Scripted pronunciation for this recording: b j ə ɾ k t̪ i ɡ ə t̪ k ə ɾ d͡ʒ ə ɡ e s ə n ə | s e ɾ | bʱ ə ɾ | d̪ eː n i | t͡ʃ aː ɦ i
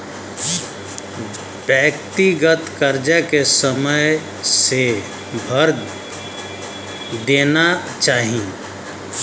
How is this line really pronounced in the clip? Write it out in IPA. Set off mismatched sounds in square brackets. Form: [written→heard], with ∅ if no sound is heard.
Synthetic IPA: b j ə [ɾ→∅] k t̪ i ɡ ə t̪ k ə ɾ d͡ʒ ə [ɡ→k] e s ə [n→m] ə | s e [ɾ→∅] | bʱ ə ɾ | d̪ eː n [i→a] | t͡ʃ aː ɦ i